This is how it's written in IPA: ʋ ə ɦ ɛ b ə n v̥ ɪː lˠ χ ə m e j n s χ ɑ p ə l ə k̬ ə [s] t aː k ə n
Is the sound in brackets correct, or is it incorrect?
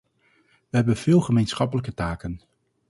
incorrect: none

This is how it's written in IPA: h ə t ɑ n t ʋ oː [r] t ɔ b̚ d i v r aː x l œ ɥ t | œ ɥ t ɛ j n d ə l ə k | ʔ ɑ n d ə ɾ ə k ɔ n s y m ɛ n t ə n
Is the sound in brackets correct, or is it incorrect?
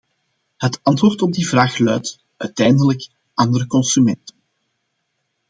correct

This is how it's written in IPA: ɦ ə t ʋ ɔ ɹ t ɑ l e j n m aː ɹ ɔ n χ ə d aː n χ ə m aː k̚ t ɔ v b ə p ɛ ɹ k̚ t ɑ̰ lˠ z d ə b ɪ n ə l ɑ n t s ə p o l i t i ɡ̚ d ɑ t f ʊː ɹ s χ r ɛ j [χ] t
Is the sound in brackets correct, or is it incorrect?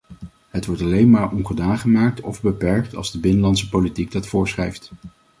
incorrect: f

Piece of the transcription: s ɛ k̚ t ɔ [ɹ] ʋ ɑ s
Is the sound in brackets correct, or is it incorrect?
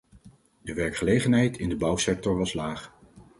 correct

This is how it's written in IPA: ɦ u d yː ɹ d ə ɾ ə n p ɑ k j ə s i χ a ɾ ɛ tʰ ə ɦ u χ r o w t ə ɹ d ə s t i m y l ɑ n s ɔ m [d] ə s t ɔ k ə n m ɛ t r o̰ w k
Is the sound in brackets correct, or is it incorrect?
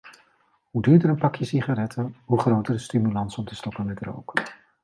incorrect: t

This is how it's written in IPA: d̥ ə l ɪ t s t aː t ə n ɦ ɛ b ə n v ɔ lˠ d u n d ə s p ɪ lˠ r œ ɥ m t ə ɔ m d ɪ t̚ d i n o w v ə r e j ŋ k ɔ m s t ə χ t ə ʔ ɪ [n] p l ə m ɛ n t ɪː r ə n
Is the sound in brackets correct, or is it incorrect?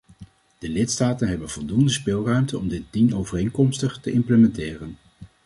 incorrect: m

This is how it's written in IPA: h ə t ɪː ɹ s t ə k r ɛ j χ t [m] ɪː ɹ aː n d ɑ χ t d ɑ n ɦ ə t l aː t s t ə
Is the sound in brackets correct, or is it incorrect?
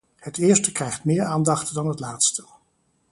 correct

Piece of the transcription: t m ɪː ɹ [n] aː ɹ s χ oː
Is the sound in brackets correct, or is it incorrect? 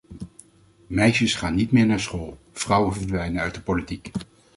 correct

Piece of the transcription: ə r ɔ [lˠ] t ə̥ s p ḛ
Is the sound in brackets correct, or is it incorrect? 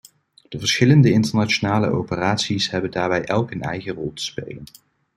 correct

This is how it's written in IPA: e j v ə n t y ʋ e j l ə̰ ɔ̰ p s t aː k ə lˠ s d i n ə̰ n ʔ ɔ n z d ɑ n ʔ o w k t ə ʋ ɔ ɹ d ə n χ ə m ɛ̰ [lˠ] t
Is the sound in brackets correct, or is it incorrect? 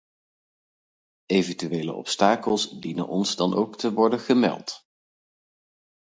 correct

